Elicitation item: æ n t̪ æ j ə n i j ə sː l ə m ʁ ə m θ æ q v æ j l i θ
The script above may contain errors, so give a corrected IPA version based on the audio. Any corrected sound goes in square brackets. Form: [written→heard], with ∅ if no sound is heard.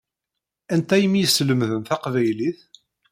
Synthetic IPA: æ n t̪ æ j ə [n→m] i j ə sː l ə m [ʁ→ð] ə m θ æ q v æ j l i θ